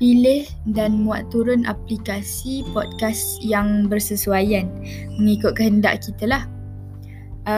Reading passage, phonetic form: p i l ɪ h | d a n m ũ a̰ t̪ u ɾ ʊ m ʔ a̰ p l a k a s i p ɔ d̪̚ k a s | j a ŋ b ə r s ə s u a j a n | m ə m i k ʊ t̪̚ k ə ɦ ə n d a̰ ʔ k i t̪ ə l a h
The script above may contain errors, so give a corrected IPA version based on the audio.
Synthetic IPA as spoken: p i l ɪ h | d a n m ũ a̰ t̪ u ɾ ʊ n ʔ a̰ p l i k a s i p ɔ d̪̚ k a s | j a ŋ b ə r s ə s u a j a n | m ə ŋ i k ʊ t̪̚ k ə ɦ ə n d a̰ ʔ k i t̪ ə l a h